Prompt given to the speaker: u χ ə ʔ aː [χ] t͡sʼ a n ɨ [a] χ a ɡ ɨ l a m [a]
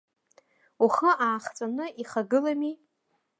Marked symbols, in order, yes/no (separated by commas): yes, no, no